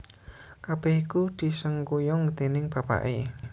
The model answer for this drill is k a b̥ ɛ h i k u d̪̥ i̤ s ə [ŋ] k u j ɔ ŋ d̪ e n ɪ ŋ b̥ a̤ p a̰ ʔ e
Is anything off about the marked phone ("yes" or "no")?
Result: no